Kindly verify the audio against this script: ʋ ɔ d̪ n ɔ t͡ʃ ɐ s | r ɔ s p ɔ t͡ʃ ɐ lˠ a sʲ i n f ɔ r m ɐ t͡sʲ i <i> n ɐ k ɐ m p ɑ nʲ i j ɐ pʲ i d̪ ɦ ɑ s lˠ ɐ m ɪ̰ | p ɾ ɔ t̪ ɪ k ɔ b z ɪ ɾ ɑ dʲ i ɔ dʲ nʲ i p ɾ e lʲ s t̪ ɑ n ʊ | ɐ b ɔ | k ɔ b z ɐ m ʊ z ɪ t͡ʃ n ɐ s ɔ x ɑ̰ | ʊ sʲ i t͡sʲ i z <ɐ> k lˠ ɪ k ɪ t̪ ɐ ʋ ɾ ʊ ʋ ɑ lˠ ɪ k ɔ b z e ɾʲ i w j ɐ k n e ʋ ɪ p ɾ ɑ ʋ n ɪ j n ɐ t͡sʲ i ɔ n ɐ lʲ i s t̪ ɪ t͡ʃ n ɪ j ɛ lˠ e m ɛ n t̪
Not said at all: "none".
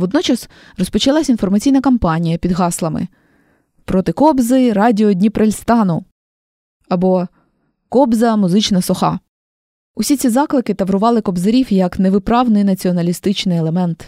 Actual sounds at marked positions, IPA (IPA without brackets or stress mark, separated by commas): j, ɑ